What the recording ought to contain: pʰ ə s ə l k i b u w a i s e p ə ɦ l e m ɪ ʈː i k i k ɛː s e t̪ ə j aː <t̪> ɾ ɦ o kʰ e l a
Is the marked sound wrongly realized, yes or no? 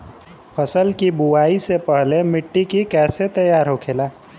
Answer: yes